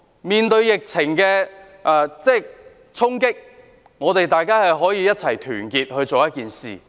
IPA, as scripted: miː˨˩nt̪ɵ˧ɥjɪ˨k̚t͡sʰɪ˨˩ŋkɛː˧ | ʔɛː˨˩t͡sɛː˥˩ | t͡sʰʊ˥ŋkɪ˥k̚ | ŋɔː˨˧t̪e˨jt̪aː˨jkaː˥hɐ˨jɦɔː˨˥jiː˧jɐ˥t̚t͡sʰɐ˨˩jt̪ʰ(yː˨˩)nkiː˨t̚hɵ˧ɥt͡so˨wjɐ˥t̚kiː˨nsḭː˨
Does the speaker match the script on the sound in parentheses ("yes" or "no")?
yes